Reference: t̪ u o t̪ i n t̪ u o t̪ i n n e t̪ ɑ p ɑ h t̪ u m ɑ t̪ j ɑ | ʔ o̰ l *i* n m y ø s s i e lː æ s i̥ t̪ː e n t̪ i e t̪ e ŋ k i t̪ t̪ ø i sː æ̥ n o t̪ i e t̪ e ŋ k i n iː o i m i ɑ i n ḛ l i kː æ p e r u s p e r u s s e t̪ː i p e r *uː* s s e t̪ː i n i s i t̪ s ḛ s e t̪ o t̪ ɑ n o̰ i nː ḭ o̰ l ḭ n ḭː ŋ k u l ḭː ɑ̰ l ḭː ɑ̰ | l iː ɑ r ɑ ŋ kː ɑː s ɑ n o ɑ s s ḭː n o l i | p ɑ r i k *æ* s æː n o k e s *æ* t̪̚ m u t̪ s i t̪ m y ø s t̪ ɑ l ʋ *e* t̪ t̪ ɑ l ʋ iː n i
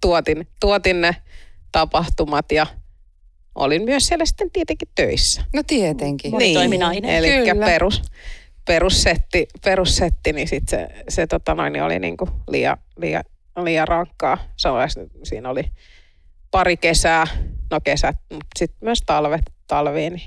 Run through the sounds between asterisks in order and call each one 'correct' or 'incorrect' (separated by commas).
correct, incorrect, incorrect, correct, correct